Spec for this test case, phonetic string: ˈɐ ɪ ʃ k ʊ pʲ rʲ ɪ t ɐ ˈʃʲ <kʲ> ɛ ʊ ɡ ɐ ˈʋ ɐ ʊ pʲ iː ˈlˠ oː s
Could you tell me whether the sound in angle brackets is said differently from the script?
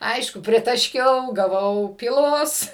no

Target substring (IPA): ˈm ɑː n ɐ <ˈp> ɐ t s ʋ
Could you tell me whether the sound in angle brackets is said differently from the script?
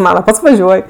no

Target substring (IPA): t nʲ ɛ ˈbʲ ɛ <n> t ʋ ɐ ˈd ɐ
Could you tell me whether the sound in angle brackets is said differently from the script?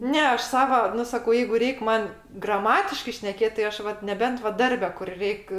no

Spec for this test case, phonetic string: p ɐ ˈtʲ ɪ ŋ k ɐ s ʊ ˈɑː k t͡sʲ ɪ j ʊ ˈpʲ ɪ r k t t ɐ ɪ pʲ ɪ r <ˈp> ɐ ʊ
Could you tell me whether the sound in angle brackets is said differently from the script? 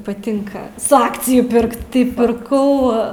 yes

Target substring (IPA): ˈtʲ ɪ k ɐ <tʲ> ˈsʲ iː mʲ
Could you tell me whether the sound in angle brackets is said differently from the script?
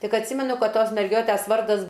no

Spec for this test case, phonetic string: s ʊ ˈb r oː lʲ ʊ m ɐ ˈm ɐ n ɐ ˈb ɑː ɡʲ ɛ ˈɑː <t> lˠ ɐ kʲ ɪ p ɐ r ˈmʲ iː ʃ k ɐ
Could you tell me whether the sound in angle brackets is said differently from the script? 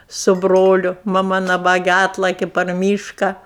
no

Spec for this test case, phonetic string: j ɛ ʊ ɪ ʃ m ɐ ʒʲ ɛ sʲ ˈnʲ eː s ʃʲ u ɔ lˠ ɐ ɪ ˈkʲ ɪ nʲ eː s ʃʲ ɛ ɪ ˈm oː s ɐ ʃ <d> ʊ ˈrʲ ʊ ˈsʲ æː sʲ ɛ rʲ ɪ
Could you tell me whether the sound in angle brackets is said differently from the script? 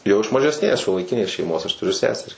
yes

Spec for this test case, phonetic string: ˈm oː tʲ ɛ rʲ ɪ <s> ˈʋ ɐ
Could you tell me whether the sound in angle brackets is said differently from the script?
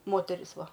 no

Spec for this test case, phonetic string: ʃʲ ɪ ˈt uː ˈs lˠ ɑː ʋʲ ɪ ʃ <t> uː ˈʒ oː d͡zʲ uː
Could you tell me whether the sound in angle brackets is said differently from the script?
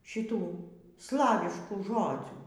yes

